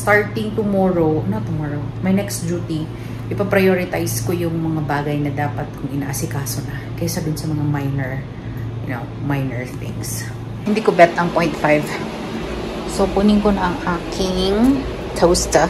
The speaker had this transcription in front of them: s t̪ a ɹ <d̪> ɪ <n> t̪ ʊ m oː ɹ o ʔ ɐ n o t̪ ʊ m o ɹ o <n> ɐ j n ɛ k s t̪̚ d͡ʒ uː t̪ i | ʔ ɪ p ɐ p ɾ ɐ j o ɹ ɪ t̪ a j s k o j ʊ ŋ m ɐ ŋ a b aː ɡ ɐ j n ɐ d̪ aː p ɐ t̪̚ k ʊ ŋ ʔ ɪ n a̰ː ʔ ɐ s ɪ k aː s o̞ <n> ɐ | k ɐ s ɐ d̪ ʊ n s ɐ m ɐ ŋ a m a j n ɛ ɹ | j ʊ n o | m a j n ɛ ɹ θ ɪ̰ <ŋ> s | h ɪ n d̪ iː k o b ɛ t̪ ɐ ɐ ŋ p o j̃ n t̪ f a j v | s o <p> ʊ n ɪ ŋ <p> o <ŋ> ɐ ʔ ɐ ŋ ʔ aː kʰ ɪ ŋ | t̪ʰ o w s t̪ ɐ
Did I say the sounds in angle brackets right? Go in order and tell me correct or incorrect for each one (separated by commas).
incorrect, incorrect, incorrect, correct, correct, correct, incorrect, incorrect